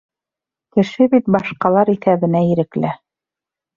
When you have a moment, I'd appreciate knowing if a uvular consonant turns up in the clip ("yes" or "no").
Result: yes